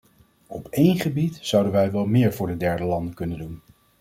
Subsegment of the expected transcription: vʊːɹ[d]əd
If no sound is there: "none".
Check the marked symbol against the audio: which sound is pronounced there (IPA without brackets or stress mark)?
d